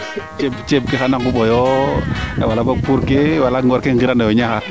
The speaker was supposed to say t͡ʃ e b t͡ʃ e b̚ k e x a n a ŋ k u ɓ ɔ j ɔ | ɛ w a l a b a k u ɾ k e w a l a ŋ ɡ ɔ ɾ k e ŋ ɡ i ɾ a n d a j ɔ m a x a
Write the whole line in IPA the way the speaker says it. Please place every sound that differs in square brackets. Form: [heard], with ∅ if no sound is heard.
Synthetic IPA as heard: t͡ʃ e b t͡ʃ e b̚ k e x a n a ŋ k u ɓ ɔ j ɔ | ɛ w a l a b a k u ɾ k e w a l a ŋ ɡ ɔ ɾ k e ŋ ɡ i ɾ a n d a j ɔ [ɲ] a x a